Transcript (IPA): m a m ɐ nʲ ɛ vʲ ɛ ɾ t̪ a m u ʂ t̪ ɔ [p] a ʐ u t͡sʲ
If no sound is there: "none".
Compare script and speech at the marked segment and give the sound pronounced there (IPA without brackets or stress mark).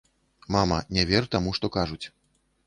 k